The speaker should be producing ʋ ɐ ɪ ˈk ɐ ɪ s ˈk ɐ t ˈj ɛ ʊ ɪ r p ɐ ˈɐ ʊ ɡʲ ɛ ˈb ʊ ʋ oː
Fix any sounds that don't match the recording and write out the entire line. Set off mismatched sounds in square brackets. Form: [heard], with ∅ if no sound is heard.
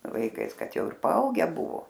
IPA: ʋ ɐ ɪ ˈk ɐ ɪ s ˈk ɐ t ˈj ɛ ʊ ɪ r p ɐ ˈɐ ʊ ɡʲ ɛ ˈb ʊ ʋ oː